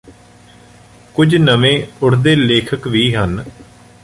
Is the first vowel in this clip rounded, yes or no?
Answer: yes